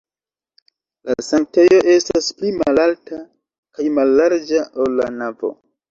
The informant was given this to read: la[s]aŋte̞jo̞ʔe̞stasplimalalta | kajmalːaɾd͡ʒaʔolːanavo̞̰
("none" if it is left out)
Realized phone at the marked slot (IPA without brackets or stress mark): s